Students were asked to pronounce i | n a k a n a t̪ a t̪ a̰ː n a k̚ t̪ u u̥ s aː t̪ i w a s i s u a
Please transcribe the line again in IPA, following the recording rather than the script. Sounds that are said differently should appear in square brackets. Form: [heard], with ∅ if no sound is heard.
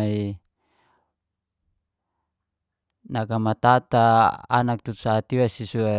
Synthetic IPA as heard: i | n a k a [m] a t̪ a t̪ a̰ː n a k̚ t̪ u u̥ s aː t̪ i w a s i s u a